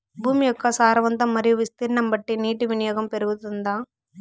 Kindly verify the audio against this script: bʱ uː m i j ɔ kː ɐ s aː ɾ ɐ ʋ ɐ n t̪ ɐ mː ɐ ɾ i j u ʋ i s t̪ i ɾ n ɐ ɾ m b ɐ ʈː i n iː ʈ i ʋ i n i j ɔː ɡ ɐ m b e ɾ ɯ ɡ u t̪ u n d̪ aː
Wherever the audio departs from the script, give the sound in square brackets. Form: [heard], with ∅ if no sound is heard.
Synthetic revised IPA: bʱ uː m i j ɔ kː ɐ s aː ɾ ɐ ʋ ɐ n t̪ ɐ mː ɐ ɾ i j u ʋ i s t̪ i ɾ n ɐ [∅] m b ɐ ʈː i n iː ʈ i ʋ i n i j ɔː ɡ ɐ m [p] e ɾ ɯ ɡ u t̪ u n d̪ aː